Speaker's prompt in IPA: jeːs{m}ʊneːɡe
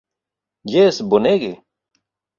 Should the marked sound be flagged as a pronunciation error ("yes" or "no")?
yes